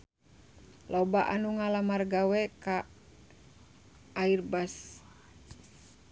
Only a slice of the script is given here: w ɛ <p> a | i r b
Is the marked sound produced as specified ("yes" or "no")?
no